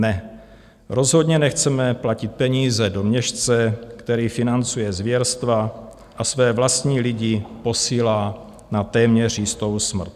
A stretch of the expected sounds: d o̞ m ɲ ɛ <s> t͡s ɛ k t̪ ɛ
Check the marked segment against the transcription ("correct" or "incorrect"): incorrect